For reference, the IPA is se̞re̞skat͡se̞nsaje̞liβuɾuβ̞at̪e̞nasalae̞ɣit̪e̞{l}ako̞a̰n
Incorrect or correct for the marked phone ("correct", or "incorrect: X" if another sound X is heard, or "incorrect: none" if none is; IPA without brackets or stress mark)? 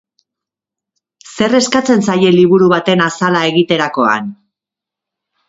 incorrect: ɾ